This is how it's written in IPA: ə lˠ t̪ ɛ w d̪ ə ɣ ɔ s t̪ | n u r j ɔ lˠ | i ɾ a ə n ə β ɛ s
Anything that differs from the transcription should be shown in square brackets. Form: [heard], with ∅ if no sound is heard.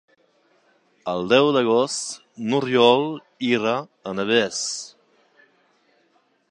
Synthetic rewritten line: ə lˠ [d̪] ɛ w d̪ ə ɣ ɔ s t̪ | n u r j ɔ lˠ | i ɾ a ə n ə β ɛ s